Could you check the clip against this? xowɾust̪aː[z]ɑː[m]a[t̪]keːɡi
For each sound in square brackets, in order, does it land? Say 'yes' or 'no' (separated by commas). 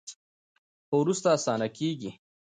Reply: no, no, no